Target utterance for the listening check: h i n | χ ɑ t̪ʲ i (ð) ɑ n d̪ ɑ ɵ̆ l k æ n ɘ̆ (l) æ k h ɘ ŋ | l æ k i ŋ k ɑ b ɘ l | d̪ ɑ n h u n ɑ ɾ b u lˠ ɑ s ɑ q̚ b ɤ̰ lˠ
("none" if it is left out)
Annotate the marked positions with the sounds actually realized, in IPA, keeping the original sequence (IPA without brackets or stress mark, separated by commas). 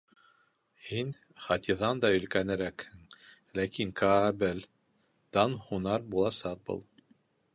ð, ɾ